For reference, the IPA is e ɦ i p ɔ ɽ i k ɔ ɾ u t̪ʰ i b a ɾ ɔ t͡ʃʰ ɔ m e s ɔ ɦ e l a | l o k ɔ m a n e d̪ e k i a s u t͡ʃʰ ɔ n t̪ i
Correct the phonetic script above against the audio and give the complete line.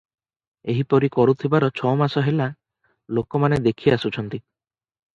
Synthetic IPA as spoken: e ɦ i p ɔ ɾ i k ɔ ɾ u t̪ʰ i b a ɾ ɔ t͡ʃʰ ɔ m a s ɔ ɦ e l a | l o k ɔ m a n e d̪ e kʰ i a s u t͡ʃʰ ɔ n t̪ i